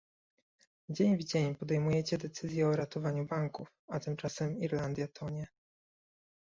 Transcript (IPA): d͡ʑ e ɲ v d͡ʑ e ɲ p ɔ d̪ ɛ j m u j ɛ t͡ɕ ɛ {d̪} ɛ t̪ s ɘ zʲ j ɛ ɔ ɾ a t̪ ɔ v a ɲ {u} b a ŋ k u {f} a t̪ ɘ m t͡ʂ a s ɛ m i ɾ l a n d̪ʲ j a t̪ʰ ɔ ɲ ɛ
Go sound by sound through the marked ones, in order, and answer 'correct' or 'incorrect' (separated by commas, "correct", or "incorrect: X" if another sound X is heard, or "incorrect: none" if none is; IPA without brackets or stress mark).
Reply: correct, correct, correct